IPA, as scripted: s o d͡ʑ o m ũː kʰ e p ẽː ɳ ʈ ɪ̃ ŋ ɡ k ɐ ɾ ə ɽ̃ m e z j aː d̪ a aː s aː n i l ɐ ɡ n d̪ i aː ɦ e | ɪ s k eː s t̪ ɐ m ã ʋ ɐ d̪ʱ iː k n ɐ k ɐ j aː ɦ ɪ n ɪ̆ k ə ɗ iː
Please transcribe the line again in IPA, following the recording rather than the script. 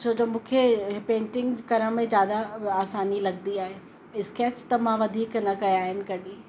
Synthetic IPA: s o d͡ʑ o m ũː kʰ e p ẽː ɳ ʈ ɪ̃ ŋ ɡ k ɐ ɾ ə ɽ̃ m ẽ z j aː d̪ a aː s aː n i l ɐ ɡ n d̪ i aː ɦ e | ɪ s k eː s t̪ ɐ m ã ʋ ɐ d̪ʱ iː k n ɐ k ɐ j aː ɦ ɪ n ɪ̆ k ɐ ɗ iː